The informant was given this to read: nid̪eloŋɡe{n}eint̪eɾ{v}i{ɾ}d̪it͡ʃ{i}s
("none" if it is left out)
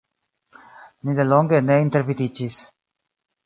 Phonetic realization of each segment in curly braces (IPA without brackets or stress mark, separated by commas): n, v, none, i